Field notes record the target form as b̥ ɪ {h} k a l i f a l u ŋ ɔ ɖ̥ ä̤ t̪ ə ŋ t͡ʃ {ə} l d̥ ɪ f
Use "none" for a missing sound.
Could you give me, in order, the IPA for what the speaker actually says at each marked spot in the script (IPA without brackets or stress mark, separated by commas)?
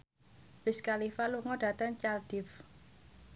s, a